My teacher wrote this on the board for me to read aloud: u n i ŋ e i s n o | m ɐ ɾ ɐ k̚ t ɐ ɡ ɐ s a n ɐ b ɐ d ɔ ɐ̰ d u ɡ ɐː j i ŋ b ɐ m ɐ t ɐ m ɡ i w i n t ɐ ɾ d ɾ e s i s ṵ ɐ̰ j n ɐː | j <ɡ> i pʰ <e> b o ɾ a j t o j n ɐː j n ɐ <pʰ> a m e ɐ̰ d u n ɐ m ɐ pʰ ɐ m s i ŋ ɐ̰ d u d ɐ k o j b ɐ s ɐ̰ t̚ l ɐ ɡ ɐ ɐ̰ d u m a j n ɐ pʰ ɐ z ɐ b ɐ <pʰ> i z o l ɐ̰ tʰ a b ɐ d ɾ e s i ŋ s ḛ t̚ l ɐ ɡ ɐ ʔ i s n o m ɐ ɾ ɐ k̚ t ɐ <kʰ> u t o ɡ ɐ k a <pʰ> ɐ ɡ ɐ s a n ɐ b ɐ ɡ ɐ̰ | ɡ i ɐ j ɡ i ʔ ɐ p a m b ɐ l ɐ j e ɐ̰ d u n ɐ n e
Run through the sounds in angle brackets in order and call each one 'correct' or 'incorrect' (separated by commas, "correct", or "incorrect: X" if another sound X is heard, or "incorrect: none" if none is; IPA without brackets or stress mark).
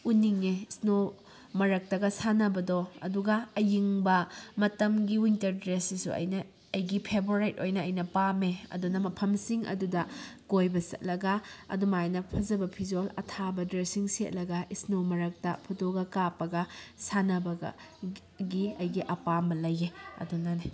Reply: correct, correct, incorrect: p, correct, incorrect: pʰ, incorrect: p